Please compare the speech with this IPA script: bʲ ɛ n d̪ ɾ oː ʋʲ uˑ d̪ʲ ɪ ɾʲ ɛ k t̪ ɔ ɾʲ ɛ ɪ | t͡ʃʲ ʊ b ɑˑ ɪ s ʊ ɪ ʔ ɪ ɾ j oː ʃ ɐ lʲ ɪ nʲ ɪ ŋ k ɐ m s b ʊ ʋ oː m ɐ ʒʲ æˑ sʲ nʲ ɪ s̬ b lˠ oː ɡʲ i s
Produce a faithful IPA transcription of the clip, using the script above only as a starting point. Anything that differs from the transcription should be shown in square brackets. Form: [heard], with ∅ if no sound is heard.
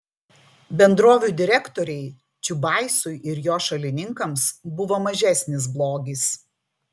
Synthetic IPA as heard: bʲ ɛ n d̪ ɾ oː ʋʲ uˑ d̪ʲ ɪ ɾʲ ɛ k t̪ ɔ ɾʲ ɛ ɪ | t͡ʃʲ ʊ b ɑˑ ɪ s ʊ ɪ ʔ ɪ ɾ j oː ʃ ɐ lʲ ɪ nʲ ɪ ŋ k ɐ m s b ʊ ʋ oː m ɐ ʒʲ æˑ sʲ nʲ ɪ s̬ b lˠ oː ɡʲ i s